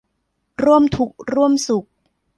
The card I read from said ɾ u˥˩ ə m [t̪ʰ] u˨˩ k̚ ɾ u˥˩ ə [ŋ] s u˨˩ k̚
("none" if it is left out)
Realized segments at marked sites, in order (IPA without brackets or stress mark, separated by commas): t̪ʰ, m